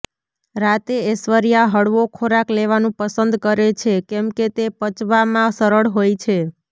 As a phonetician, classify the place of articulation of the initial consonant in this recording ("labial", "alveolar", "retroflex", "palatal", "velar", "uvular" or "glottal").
alveolar